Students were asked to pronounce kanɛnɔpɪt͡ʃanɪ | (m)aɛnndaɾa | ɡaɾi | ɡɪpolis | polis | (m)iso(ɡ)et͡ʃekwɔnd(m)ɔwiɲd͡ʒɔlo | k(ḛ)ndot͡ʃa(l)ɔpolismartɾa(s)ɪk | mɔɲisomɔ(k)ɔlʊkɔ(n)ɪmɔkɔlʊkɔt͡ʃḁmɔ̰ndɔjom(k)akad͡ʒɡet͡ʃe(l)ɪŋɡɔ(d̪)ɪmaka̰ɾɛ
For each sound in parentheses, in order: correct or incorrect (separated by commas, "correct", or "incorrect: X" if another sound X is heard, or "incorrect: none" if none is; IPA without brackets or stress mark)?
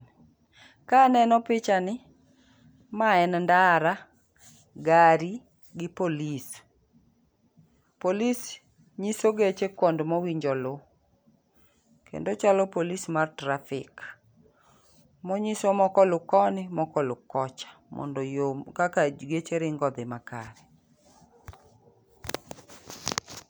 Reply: correct, incorrect: ɲ, correct, correct, correct, correct, incorrect: f, correct, correct, correct, incorrect: ɾ, correct